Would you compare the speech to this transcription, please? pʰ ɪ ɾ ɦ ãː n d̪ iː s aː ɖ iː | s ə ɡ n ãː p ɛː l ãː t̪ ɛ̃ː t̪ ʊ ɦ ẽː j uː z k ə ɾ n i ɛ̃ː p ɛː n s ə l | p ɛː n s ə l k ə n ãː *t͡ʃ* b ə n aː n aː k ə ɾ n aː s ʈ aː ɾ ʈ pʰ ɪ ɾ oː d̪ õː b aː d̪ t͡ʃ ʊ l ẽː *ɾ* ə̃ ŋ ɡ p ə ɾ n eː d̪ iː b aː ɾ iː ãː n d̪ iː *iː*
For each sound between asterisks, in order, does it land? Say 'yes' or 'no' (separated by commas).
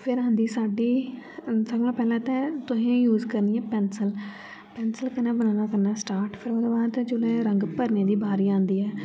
no, yes, no